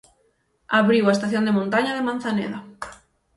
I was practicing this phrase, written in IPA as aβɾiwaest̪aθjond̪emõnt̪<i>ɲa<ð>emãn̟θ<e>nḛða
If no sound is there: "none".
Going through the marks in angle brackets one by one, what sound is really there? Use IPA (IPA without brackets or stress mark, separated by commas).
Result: a, ð, a